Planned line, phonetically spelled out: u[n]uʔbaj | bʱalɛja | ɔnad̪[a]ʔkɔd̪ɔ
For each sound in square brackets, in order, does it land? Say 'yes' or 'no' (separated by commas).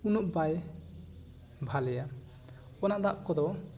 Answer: yes, yes